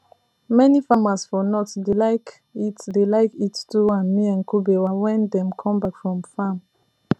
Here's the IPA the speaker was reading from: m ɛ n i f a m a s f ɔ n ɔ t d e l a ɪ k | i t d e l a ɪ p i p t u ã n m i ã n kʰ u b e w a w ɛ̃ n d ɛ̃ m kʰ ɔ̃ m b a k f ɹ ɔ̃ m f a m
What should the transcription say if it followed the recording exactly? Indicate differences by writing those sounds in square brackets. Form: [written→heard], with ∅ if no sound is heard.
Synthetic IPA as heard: m ɛ n i f a m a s f ɔ n ɔ t d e l a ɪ k | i t d e l a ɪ [p→k] i [p→t] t u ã n m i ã n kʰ u b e w a w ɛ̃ n d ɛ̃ m kʰ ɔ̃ m b a k f ɹ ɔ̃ m f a m